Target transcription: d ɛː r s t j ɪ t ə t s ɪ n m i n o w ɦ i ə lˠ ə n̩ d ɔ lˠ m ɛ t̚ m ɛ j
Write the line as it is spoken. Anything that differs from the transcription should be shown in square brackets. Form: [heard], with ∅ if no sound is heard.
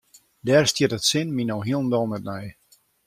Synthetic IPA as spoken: d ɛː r s t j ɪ t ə t s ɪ n m i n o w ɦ i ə lˠ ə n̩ d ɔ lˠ m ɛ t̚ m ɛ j